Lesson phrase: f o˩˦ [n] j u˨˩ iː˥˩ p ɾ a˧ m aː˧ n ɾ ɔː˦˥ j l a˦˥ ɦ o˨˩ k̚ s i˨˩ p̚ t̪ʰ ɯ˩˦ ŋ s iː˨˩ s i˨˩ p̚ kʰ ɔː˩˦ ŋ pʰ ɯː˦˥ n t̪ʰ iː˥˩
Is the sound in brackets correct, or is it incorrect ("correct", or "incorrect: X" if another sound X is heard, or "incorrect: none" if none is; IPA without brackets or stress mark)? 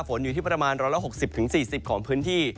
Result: correct